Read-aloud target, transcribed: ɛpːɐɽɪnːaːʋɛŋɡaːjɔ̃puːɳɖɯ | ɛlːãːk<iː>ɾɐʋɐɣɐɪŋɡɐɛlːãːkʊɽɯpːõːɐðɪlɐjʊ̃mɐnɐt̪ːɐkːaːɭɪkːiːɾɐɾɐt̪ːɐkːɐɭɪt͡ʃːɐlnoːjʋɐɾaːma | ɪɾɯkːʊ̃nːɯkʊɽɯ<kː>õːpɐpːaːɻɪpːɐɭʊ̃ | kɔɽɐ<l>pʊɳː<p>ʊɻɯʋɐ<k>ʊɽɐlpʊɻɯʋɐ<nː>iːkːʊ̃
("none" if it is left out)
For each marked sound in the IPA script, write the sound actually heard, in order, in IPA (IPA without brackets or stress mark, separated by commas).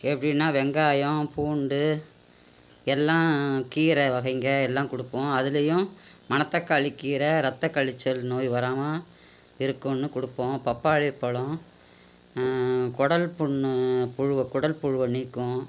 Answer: iː, pː, l, p, k, n